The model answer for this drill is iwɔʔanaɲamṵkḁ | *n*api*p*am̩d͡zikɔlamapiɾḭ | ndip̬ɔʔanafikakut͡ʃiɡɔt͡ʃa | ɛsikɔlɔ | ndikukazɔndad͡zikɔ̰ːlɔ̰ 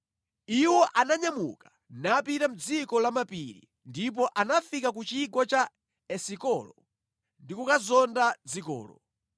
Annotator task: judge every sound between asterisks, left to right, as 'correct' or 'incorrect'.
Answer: correct, incorrect: t

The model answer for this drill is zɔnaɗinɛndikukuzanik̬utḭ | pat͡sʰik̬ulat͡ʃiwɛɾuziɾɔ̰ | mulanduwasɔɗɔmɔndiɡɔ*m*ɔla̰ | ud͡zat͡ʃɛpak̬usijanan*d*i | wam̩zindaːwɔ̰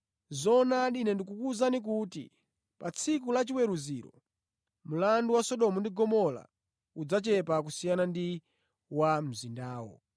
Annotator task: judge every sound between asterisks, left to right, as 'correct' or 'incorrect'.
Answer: correct, correct

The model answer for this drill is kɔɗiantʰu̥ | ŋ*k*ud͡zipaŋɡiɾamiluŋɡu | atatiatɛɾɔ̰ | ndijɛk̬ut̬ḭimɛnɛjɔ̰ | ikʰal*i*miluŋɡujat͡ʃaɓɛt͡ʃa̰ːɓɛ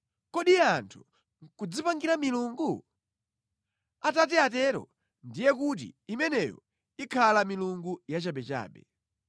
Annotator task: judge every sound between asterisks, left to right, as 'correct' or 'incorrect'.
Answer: correct, incorrect: a

